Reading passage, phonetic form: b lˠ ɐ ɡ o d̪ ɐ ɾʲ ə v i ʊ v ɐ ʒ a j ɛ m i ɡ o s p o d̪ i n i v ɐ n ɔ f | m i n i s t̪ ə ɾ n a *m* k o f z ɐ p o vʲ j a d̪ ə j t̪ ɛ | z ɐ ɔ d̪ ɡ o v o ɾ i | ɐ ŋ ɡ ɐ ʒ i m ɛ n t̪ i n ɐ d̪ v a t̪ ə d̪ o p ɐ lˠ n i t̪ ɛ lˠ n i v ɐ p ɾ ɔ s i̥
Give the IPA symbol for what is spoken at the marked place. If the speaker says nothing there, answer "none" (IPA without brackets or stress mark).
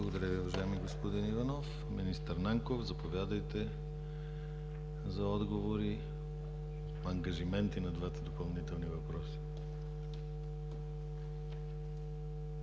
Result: ŋ